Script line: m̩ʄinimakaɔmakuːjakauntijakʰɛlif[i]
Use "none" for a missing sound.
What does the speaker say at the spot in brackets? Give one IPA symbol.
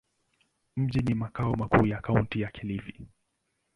i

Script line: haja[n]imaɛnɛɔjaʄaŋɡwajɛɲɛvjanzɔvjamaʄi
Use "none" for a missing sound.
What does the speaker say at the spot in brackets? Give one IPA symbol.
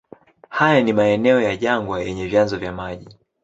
n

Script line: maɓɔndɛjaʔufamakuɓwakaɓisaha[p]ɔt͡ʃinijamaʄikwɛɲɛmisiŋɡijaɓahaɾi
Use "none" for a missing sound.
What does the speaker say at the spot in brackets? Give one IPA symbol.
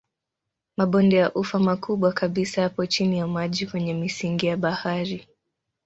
p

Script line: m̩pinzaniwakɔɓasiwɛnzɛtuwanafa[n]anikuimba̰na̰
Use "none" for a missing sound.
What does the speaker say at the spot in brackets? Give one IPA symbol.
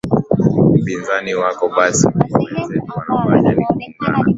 ɲ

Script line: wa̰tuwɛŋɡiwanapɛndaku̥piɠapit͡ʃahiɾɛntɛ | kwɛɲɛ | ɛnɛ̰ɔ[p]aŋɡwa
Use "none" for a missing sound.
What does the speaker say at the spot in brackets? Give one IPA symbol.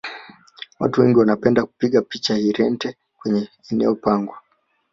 p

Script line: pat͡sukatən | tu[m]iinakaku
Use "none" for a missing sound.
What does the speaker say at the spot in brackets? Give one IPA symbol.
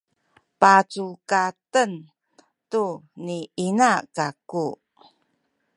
n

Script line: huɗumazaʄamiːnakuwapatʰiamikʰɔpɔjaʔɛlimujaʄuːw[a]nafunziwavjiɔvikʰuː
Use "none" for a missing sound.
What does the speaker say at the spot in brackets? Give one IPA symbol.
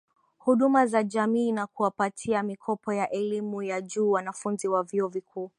a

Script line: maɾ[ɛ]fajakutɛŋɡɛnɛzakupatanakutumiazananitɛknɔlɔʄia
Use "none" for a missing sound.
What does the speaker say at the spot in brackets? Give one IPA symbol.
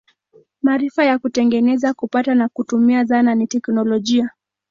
i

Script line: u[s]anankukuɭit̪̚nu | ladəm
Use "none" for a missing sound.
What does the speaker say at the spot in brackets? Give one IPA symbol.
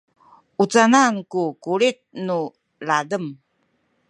t͡s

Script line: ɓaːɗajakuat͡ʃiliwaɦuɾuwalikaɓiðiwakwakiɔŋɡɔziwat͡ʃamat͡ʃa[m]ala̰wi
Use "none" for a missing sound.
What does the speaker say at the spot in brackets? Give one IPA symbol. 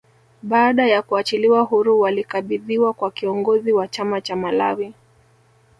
m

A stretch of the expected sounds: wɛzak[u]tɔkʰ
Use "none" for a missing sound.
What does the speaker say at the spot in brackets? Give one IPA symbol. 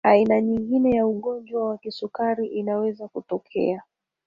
u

